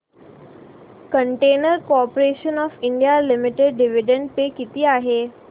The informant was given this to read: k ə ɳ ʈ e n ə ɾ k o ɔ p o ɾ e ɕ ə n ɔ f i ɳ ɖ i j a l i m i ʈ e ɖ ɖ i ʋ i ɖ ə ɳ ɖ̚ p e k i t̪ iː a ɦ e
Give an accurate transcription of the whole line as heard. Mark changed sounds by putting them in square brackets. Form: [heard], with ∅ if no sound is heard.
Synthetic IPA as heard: k ə ɳ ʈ e n ə ɾ k o ɔ p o ɾ e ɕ ə n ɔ f i ɳ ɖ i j a l i m i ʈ e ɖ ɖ i ʋ i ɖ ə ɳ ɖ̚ p e k i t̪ iː a ɦ e